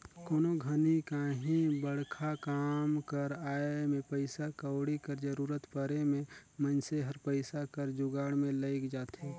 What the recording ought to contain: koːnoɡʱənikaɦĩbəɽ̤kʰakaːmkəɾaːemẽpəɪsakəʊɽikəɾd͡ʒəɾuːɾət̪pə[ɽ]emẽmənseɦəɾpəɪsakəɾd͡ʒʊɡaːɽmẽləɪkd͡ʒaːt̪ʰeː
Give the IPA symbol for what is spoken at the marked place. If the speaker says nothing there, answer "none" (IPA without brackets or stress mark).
ɾ